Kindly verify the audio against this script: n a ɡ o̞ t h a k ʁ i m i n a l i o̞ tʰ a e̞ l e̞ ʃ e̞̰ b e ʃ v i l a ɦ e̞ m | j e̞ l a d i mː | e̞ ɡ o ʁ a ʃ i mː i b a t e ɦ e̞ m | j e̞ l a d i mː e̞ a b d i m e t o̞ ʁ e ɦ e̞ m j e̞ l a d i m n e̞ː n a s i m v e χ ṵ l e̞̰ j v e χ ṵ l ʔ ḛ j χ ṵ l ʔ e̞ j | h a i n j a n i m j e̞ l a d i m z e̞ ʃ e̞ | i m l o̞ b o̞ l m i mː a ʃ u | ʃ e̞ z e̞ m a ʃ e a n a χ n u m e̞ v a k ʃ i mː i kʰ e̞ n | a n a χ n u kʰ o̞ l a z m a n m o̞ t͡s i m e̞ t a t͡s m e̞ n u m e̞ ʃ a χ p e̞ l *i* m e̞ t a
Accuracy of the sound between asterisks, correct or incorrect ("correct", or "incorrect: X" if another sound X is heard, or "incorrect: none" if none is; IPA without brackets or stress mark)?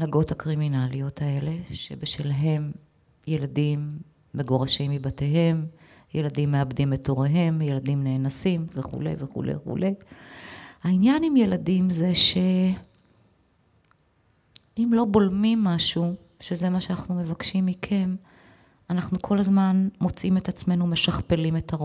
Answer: correct